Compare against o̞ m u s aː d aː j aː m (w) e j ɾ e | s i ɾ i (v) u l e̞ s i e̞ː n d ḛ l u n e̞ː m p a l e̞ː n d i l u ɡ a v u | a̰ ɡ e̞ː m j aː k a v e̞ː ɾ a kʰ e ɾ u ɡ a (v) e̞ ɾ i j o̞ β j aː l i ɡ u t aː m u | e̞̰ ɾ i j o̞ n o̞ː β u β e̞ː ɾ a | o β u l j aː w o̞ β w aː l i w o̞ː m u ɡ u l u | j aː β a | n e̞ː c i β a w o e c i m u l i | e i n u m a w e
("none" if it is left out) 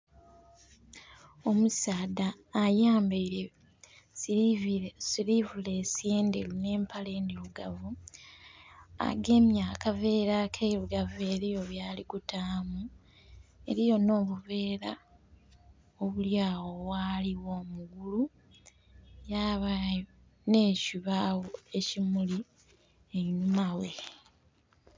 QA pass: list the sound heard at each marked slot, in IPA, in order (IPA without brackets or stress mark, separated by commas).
b, v, v